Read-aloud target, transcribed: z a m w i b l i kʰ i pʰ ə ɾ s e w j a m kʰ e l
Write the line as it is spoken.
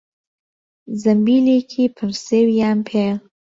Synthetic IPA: z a m b i l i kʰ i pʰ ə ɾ s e w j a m pʰ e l